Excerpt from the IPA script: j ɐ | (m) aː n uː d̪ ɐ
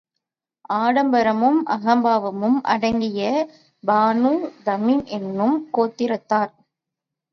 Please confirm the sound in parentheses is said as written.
no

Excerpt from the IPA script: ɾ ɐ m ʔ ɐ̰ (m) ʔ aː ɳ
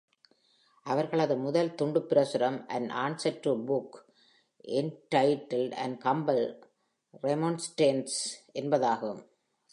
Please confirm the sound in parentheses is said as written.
no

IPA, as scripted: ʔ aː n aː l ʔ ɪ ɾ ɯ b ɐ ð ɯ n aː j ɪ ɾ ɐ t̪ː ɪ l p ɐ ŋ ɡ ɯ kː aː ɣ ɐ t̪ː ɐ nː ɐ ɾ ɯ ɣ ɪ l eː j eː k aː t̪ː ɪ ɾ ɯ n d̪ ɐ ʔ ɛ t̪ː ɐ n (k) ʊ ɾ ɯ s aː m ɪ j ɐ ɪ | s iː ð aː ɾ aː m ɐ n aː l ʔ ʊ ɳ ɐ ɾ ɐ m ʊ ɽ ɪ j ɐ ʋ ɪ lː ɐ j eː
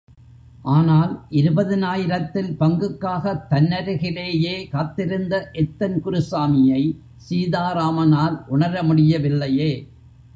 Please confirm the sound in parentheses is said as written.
yes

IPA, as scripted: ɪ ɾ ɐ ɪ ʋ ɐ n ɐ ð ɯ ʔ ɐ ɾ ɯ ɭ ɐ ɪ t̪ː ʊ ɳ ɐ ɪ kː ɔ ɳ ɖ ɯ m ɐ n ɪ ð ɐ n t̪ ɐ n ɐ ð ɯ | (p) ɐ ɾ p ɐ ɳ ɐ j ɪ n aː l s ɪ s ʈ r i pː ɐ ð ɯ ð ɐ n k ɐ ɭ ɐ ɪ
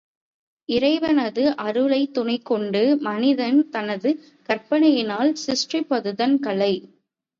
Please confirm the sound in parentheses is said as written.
no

